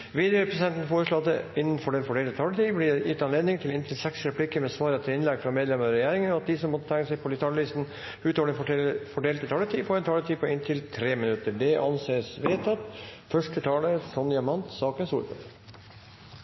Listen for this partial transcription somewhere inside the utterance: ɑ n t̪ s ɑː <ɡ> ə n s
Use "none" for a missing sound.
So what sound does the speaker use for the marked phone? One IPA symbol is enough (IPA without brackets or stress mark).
k